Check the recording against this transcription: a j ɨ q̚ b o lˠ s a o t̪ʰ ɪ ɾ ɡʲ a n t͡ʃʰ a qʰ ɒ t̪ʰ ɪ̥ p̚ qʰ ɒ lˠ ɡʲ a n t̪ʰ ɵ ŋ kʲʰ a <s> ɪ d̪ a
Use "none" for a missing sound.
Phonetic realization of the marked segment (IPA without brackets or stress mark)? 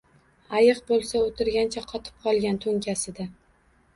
s